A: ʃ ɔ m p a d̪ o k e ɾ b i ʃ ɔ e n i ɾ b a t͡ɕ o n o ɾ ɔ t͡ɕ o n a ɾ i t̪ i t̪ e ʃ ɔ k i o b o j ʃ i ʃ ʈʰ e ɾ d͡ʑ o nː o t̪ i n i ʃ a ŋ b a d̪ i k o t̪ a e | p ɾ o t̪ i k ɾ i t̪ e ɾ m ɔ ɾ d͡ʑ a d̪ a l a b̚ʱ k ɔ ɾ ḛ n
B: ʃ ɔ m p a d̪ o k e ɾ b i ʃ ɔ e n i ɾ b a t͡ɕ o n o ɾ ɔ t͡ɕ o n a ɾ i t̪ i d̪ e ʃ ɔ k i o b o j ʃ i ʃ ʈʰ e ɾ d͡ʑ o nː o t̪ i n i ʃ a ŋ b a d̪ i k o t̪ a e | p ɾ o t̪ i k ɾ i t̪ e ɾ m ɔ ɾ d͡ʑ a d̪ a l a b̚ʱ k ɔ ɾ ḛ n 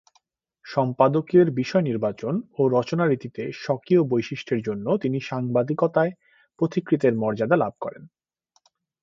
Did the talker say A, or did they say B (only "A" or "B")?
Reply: A